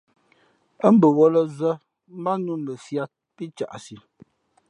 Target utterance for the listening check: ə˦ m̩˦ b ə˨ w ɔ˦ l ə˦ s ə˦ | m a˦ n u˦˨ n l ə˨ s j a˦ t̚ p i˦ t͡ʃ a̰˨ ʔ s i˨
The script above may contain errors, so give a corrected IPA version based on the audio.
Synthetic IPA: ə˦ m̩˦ b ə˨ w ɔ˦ l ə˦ z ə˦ | m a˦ n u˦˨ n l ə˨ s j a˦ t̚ p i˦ t͡ʃ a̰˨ ʔ s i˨